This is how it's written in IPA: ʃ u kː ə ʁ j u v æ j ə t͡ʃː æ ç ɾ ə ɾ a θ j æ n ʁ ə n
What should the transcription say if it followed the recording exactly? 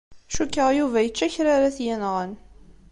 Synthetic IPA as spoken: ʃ u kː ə ʁ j u v æ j ə t͡ʃː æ ç ɾ a ɾ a θ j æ n ʁ ə n